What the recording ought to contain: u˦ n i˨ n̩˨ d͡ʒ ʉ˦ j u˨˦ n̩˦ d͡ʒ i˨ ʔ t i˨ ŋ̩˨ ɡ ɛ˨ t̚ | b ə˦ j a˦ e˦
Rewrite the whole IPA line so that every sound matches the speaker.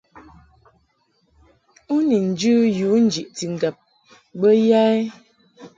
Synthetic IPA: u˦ n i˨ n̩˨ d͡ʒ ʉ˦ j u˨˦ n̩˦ d͡ʒ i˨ ʔ t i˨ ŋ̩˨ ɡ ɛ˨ p̚ | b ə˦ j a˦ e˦